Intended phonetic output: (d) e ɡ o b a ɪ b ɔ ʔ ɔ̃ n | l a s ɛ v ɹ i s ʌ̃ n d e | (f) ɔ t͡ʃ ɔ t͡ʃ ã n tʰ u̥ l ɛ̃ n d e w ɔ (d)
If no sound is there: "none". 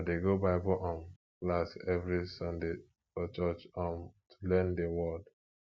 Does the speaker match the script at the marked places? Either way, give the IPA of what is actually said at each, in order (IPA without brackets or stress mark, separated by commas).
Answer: d, f, d